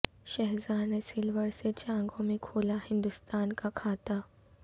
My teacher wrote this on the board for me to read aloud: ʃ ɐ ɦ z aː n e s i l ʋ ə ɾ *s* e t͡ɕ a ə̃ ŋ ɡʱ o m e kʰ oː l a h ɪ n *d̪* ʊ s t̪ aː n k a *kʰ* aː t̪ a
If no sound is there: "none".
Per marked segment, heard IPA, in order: s, d̪, kʰ

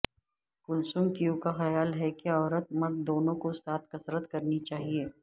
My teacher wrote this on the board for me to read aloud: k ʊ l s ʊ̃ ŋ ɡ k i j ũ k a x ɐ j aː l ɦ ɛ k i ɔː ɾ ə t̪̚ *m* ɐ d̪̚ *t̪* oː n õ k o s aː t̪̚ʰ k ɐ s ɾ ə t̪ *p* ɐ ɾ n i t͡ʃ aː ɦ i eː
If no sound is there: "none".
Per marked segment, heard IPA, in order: m, d̪, k

